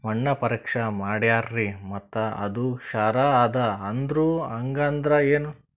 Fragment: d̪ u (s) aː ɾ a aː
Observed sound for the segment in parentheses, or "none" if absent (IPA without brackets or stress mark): ʃ